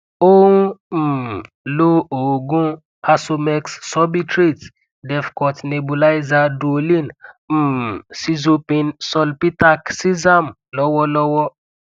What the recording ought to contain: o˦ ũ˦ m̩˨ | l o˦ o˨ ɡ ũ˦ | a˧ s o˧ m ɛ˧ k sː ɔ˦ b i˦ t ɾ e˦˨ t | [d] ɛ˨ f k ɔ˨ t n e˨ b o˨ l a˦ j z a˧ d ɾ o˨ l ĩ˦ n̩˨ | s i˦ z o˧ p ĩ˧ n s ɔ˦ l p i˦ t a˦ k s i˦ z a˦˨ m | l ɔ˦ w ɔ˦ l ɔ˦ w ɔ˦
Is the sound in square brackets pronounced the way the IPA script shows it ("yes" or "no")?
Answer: yes